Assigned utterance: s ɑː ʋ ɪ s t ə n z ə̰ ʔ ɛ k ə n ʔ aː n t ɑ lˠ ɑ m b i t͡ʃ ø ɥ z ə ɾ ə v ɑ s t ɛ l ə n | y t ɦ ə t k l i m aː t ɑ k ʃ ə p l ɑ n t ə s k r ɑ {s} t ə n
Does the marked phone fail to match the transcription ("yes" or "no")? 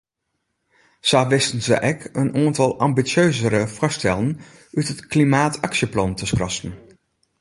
no